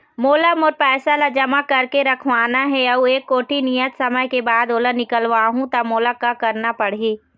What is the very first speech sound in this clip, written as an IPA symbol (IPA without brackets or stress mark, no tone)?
m